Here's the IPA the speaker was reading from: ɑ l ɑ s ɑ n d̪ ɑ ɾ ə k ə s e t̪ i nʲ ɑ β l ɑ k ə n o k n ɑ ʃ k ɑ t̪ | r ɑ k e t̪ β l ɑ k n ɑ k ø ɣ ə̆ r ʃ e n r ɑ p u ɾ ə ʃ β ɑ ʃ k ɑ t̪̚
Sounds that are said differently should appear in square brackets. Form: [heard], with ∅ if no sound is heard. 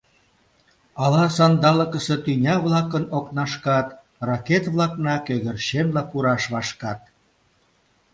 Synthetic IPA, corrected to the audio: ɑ l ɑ s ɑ n d̪ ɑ [l] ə k ə s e t̪ [y] nʲ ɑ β l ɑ k ə n o k n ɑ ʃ k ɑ t̪ | r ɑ k e t̪ β l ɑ k n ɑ k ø ɣ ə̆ r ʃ e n [l] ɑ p u ɾ [ɑ] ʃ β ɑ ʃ k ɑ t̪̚